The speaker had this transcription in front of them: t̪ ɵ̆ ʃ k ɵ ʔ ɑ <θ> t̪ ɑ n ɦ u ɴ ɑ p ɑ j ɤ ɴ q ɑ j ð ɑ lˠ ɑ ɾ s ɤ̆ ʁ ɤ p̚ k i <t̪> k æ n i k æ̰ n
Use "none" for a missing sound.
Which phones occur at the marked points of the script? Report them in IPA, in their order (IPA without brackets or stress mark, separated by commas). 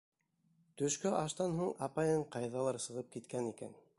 ʃ, t̪